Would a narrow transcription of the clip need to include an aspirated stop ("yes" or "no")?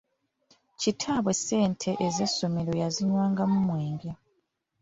yes